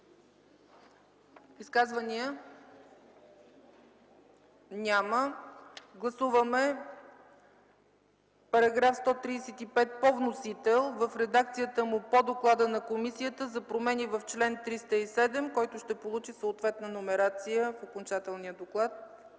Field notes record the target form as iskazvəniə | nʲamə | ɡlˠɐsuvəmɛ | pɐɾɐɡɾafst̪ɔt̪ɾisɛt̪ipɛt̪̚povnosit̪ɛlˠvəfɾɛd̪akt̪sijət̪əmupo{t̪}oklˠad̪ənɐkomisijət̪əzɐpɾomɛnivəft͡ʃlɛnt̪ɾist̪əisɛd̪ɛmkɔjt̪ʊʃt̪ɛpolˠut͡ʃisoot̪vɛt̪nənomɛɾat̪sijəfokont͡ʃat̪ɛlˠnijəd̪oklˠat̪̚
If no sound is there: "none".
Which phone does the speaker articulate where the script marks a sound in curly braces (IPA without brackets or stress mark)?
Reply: d̪